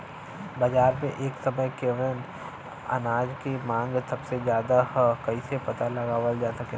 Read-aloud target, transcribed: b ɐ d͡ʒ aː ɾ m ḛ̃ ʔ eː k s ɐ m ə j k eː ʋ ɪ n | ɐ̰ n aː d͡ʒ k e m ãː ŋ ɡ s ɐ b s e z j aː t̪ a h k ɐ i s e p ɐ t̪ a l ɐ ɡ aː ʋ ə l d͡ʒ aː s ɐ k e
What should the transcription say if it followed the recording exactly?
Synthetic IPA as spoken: b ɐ d͡ʒ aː ɾ m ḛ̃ ʔ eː k s ɐ m ə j k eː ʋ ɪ n | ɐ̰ n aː d͡ʒ k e m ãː ŋ ɡ s ɐ b s e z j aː d̪ a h k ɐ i s e p ɐ t̪ a l ɐ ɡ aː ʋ ə l d͡ʒ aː s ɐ k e